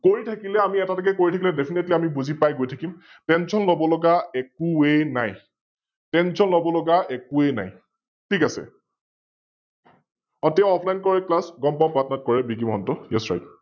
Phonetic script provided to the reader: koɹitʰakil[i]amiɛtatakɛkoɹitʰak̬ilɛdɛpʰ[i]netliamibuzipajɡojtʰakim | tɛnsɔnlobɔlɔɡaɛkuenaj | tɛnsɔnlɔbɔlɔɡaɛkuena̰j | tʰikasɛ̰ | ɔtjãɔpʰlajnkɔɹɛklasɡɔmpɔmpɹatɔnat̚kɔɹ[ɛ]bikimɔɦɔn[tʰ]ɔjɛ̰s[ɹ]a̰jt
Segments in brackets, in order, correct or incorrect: incorrect, correct, correct, incorrect, correct

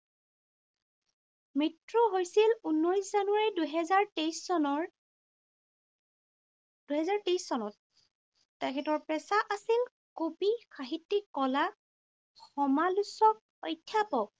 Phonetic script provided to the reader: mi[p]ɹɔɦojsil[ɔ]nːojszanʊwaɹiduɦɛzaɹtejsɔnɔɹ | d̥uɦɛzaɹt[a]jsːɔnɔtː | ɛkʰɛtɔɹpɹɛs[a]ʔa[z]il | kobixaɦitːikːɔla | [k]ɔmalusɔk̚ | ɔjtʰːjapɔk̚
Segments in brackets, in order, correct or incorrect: incorrect, incorrect, incorrect, correct, incorrect, incorrect

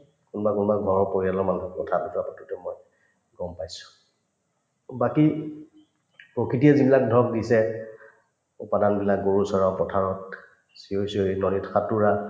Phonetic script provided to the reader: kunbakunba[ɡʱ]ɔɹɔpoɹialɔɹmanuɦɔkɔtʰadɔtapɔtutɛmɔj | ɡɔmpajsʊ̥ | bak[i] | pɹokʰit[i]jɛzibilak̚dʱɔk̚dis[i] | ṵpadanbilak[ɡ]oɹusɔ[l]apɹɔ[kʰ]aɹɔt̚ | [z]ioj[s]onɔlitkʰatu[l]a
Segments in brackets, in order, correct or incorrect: correct, correct, correct, incorrect, correct, incorrect, incorrect, incorrect, correct, incorrect

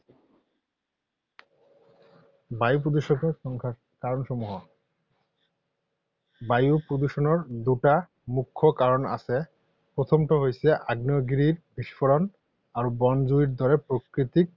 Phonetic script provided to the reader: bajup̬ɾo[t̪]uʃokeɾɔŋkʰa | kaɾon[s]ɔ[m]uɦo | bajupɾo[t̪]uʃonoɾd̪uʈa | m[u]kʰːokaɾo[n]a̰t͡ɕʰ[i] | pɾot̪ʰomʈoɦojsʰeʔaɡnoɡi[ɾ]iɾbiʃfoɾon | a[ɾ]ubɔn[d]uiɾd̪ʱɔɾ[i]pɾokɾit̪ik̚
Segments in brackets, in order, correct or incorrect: incorrect, incorrect, correct, incorrect, correct, correct, incorrect, correct, correct, incorrect, incorrect

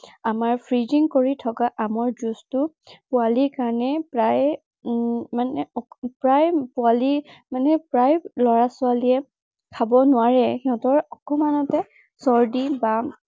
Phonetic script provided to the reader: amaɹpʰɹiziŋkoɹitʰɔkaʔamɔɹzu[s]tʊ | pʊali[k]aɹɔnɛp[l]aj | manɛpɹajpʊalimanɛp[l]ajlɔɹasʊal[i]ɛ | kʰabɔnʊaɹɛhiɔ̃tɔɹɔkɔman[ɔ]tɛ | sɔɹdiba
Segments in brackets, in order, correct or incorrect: correct, correct, incorrect, incorrect, correct, correct

